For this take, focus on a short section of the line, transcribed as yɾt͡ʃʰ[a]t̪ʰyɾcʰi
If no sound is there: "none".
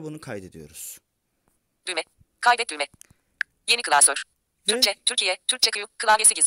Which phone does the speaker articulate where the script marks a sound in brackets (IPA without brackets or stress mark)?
ɛ